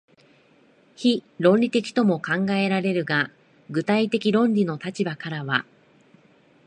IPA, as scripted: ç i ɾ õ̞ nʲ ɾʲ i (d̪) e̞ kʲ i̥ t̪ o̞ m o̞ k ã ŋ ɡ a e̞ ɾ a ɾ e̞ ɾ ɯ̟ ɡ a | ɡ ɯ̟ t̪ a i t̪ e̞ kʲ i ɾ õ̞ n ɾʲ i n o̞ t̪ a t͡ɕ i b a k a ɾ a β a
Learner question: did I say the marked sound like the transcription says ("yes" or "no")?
no